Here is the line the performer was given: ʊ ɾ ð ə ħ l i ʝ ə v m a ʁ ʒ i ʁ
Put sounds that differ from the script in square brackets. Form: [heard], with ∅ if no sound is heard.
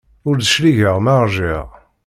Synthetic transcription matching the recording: ʊ ɾ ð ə [ʃ] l i ʝ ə [ʁ] m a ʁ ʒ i ʁ

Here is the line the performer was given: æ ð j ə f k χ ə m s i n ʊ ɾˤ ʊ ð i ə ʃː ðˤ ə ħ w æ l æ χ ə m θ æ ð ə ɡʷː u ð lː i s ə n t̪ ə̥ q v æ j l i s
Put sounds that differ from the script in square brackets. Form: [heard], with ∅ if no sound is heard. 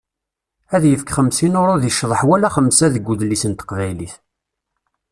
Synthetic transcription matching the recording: æ ð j ə f k χ ə m s i n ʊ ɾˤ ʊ ð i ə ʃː ðˤ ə ħ w æ l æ χ ə m [s] æ ð ə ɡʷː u ð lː i s ə n t̪ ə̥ q v æ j l i [θ]

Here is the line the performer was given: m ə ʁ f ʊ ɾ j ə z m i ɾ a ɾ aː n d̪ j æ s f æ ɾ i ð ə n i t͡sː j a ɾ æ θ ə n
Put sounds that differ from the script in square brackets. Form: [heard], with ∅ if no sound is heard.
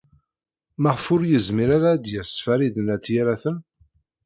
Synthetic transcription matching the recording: m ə ʁ f ʊ ɾ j ə z m i ɾ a ɾ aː [∅] d̪ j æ s f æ ɾ i ð ə n [æ] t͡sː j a ɾ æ θ ə n

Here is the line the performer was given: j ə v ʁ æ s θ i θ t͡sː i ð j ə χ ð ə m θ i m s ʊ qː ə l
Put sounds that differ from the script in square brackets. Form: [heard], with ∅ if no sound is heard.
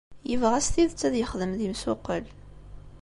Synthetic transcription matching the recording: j ə v ʁ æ s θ i [ð] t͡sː [æ] ð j ə χ ð ə m [ð] i m s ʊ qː ə l

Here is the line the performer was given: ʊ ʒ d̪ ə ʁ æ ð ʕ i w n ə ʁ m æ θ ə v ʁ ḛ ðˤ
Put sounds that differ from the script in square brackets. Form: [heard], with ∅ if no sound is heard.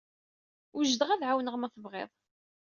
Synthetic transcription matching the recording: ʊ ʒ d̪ ə ʁ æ ð ʕ [a] w n ə ʁ m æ θ ə v ʁ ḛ ðˤ

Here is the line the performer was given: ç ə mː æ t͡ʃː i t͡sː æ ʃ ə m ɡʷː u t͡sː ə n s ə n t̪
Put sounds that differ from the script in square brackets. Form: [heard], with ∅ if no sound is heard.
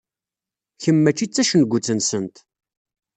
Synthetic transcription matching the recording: ç ə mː æ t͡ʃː i t͡sː æ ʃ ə [n] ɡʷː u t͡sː ə n s ə n t̪

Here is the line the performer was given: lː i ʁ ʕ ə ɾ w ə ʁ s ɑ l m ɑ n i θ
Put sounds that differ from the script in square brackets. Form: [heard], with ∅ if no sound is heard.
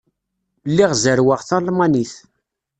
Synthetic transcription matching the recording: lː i ʁ [z] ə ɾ w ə ʁ [θ] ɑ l m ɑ n i θ

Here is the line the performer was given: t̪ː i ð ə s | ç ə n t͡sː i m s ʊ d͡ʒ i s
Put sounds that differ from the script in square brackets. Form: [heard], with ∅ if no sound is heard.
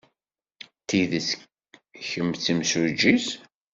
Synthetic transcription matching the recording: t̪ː i ð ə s | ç ə [m] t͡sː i m s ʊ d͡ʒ i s

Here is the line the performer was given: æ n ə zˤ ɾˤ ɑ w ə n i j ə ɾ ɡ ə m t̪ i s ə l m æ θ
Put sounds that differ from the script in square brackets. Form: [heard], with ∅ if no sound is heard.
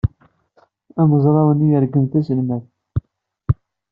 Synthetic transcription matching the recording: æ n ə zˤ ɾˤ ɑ w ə n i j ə ɾ ɡ ə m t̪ [æ] s ə l m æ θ

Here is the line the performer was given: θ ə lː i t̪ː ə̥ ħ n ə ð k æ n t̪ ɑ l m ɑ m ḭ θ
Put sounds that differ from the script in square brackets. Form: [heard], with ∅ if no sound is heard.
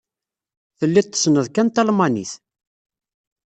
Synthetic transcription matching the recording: θ ə lː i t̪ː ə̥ [s] n ə ð k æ n t̪ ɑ l m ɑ [n] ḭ θ

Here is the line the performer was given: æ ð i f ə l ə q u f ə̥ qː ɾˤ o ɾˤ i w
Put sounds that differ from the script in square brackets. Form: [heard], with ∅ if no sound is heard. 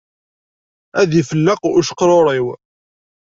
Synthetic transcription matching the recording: æ ð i f ə [lː] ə q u [ʃ] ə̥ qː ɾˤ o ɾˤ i w

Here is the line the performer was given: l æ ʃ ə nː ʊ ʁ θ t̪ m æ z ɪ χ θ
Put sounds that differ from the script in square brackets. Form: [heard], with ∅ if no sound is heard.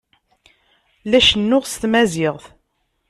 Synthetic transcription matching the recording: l æ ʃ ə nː ʊ ʁ [s] t̪ m æ z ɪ [ʁ] θ

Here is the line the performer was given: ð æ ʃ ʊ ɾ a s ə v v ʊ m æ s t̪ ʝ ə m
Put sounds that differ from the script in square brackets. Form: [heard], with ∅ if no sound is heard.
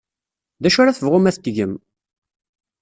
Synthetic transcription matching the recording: ð æ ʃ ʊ ɾ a [θ] ə v [ʁ] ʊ m æ [θ] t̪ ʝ ə m

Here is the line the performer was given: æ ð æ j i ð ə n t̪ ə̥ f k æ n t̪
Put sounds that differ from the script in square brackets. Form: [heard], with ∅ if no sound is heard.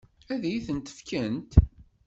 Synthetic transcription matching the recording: æ ð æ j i [θ] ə n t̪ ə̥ f k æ n t̪

